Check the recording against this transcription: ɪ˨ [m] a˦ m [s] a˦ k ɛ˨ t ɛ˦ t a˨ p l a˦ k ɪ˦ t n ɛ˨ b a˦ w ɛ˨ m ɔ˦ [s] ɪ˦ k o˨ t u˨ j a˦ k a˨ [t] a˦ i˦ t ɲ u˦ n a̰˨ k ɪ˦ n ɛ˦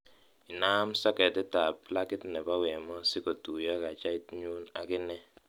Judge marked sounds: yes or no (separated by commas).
no, yes, yes, no